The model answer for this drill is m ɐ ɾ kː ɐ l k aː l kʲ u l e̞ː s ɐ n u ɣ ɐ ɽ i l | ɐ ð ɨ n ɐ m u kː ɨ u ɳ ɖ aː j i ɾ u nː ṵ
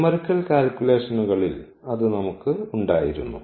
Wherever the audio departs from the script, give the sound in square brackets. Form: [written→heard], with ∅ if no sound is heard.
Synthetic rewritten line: m ɐ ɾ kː ɐ l k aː l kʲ u l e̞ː [s→ʂ] ɐ n u ɣ ɐ [ɽ→ɭ] i l | ɐ ð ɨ n ɐ m u kː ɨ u ɳ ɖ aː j i ɾ u nː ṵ